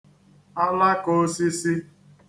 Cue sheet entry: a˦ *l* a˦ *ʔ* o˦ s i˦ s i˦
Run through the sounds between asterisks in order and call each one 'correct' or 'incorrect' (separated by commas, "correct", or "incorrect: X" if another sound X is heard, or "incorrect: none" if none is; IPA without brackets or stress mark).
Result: correct, incorrect: k